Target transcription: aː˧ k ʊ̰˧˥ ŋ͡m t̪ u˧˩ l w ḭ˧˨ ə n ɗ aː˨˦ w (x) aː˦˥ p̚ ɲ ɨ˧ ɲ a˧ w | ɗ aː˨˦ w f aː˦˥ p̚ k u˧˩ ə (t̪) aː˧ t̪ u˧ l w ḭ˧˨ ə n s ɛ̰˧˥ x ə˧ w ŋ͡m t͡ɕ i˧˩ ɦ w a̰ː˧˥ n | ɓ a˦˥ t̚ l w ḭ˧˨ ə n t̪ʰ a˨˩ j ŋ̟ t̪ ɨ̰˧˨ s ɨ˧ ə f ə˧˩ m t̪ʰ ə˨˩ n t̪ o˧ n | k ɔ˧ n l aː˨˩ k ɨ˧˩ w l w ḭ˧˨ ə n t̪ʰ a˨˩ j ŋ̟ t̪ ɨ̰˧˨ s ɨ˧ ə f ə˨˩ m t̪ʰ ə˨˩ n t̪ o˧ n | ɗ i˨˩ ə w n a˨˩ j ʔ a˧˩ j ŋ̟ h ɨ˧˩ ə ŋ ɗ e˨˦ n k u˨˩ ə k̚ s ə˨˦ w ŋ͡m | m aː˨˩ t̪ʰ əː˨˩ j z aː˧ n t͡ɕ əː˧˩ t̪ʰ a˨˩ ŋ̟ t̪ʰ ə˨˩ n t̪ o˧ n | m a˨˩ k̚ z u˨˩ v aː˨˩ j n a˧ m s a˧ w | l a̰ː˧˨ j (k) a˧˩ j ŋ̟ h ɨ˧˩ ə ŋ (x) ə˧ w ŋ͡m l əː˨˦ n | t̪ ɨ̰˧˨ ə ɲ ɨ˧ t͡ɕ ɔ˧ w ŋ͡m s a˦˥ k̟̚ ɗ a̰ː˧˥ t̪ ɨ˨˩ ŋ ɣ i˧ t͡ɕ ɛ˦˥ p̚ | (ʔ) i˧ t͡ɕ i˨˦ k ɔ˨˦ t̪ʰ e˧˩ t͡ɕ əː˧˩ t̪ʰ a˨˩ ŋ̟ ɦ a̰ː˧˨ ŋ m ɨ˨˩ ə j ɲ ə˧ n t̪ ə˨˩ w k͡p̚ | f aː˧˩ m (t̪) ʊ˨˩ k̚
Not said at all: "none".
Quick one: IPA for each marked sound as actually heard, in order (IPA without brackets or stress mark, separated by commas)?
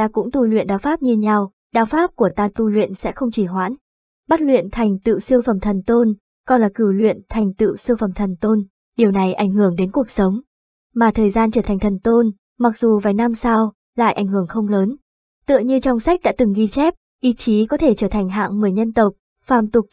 f, t̪, ʔ, x, ʔ, t̪